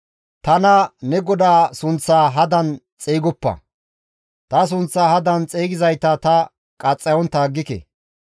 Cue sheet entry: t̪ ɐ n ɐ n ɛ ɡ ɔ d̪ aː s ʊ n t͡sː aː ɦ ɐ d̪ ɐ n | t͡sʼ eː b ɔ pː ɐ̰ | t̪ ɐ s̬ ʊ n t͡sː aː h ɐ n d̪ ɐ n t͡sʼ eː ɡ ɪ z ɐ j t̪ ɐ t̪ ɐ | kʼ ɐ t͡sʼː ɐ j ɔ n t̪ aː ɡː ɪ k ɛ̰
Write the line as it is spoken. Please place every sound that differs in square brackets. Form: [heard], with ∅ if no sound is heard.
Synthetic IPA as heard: t̪ ɐ n ɐ n ɛ ɡ ɔ d̪ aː s ʊ n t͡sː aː ɦ ɐ d̪ ɐ n | t͡sʼ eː [ɡ] ɔ pː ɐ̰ | t̪ ɐ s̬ ʊ n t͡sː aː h ɐ [∅] d̪ ɐ n t͡sʼ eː ɡ ɪ z ɐ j t̪ ɐ t̪ ɐ | kʼ ɐ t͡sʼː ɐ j ɔ n t̪ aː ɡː ɪ k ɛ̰